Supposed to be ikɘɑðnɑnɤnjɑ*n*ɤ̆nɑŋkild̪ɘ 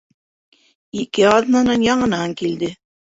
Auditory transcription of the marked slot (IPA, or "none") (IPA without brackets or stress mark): ɴ